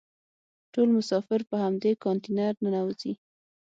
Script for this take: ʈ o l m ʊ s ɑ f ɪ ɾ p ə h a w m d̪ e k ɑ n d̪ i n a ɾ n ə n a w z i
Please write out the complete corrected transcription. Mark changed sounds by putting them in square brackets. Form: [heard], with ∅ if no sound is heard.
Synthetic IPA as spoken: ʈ o l m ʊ s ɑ f ɪ ɾ p ə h a [∅] m d̪ e k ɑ n [t̪] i n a ɾ n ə n a w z i